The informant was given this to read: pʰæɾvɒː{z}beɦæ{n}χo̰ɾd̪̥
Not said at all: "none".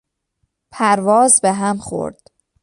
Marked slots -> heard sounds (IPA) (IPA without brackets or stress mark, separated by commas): z, m